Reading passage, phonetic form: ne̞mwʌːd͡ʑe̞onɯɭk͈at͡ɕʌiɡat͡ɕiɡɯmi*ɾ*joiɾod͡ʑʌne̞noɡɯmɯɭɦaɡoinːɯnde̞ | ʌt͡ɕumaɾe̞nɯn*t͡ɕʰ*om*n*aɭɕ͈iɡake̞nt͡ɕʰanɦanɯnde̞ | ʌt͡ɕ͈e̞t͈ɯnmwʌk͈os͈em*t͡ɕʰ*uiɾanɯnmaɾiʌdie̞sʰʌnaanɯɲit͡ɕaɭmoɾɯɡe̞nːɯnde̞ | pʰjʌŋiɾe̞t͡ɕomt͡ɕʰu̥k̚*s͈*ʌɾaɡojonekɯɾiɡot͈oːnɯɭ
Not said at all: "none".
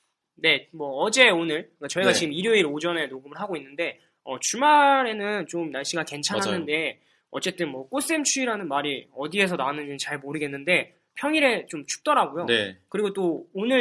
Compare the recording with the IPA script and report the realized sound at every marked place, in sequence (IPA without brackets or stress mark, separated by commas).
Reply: ɾ, t͡ɕ, n, t͡ɕʰ, t͈